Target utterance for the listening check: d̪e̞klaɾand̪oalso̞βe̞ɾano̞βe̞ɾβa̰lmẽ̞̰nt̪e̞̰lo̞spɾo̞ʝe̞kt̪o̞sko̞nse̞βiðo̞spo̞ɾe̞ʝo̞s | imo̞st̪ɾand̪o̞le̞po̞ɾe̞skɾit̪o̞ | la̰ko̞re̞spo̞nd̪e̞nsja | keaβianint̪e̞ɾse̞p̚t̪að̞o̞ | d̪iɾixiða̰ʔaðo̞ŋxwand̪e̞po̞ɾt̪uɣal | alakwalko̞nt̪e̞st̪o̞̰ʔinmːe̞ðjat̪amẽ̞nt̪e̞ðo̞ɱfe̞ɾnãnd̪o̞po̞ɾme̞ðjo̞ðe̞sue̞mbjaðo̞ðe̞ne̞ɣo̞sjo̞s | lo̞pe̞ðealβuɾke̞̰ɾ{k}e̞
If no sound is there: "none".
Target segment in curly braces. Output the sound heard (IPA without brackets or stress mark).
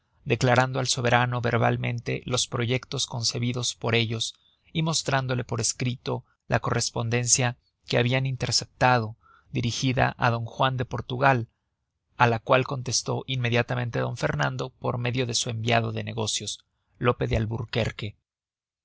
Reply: k